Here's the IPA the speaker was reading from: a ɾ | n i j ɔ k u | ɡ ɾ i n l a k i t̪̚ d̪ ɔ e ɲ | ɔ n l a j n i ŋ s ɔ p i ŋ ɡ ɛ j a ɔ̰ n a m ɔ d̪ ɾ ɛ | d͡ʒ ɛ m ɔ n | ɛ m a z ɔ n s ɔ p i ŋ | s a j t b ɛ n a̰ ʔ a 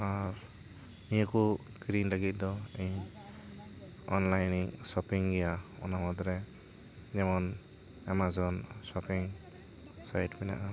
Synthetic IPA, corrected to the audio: a ɾ | n i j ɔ k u | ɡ ɾ i n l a ɡ i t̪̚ d̪ ɔ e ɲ | ɔ n l a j n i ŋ s ɔ p i ŋ ɡ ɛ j a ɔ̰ n a m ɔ d̪ ɾ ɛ | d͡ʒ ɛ m ɔ n | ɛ m a z ɔ n s ɔ p i ŋ | s a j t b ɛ n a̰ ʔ a

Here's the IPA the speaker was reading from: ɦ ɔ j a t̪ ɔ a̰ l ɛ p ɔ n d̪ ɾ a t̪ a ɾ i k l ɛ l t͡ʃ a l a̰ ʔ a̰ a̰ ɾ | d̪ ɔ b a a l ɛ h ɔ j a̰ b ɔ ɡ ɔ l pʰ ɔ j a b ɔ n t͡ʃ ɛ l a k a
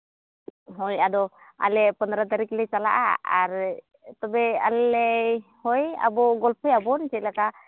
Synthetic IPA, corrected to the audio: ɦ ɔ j a d̪ ɔ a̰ l ɛ p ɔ n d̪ ɾ a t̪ a ɾ i k l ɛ t͡ʃ a l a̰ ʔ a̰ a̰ ɾ | t̪ ɔ b ɛ a l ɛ h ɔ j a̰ b ɔ ɡ ɔ l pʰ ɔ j a b ɔ n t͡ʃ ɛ l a k a

